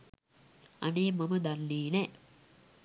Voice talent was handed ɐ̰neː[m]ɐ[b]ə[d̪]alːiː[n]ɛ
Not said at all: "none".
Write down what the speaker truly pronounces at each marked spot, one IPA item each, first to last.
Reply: m, m, d̪, n

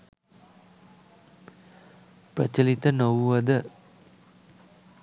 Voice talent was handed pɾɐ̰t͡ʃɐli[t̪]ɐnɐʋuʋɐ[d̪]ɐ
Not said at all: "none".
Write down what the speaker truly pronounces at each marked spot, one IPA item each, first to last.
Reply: t̪, d̪

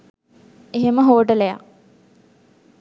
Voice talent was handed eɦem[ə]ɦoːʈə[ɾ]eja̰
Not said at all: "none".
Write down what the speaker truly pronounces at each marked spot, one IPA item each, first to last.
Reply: ə, l

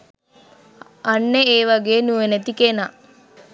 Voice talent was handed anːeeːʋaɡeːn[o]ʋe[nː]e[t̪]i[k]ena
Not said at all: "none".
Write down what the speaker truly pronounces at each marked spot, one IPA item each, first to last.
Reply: u, n, t̪, k

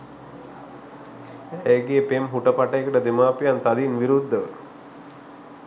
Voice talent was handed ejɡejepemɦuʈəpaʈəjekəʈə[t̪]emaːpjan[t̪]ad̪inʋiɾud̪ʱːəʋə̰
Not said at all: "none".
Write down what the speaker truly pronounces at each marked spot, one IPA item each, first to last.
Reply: d̪, t̪

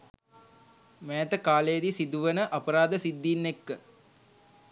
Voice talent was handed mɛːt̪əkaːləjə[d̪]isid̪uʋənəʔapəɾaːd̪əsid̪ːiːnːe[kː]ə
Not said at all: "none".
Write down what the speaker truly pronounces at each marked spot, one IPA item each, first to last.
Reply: d̪, kː

